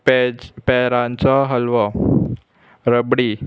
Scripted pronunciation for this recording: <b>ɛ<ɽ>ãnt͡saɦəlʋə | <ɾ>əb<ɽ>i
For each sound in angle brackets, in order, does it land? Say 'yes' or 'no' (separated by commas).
no, no, yes, yes